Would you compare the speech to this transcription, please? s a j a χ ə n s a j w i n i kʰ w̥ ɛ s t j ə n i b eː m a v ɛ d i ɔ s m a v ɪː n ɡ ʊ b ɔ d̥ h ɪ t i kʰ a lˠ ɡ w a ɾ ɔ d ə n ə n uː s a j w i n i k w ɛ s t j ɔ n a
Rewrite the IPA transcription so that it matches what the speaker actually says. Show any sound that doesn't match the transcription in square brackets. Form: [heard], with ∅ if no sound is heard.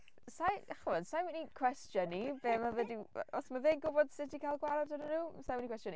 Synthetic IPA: s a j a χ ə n s a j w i n i kʰ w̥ ɛ s t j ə n i b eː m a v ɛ d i ɔ s m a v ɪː n ɡ ʊ b ɔ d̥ [s] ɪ t i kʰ a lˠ ɡ w a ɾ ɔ d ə n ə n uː s a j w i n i k w ɛ s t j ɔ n [i]

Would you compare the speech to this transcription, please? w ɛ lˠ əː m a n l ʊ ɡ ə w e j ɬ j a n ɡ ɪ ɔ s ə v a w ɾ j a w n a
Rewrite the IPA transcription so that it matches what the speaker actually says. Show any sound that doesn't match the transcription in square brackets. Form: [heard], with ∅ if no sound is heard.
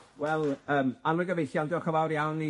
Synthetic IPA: w ɛ lˠ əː m a n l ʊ ɡ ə [v] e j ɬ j a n [d] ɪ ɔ [χ] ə v a w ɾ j a w n [i]

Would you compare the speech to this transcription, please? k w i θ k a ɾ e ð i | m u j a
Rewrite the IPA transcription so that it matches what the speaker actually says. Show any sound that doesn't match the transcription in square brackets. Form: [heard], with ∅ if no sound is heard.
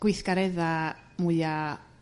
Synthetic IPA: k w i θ k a ɾ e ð [a] | m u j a

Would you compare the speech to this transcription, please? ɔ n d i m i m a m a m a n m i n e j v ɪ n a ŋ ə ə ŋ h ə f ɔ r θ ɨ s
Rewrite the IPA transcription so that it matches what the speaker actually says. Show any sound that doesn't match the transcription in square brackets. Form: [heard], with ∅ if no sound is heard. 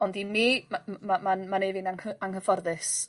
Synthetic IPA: ɔ n d i m i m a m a m a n m [a] n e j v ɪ n a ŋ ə [a] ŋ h ə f ɔ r [ð] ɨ s

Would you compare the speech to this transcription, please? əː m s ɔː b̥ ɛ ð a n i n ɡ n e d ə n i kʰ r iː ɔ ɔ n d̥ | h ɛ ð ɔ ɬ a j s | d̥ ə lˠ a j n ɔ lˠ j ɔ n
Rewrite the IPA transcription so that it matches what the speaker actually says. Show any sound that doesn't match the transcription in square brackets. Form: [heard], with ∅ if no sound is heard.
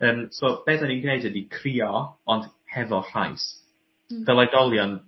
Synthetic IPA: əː m s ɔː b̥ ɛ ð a n i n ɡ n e d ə [d] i kʰ r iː ɔ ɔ n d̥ | h ɛ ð ɔ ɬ a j s | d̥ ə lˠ a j [d] ɔ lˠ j ɔ n

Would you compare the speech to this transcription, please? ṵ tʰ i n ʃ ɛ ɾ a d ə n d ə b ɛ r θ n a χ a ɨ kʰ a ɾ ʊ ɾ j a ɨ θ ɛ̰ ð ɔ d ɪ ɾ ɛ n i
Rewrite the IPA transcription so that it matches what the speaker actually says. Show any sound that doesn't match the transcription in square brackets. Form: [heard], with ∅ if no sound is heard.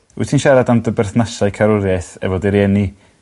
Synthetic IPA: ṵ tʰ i n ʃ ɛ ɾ a d [a] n d ə b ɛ r θ n a [s] a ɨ kʰ a ɾ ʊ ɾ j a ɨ θ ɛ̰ [v] ɔ d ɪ ɾ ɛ n i

